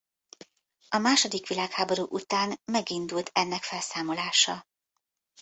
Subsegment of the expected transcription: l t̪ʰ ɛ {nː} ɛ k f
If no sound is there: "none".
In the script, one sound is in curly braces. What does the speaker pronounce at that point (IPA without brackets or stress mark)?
nː